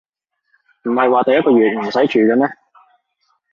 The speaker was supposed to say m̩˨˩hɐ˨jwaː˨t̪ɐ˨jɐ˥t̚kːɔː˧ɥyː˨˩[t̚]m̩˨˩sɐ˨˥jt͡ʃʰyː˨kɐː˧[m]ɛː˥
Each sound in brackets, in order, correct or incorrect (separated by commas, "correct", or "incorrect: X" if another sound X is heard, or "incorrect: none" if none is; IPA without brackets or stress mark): correct, incorrect: n